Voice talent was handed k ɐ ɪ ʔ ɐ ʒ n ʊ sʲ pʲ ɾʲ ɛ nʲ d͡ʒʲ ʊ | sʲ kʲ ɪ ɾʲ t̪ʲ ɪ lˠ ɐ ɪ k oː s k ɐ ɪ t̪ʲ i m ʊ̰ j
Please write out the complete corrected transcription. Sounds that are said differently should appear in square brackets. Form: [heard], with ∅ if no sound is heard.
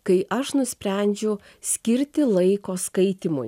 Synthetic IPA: k ɐ ɪ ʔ ɐ [ʃ] n ʊ sʲ pʲ ɾʲ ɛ nʲ d͡ʒʲ ʊ | sʲ kʲ ɪ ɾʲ t̪ʲ ɪ lˠ ɐ ɪ k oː s k ɐ ɪ t̪ʲ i m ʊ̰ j